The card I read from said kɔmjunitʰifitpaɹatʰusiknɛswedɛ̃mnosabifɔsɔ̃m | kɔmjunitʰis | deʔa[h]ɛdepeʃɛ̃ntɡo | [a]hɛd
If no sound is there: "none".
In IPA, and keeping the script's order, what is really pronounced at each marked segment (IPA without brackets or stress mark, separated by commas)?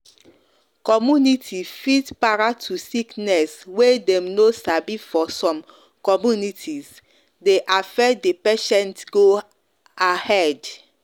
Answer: f, a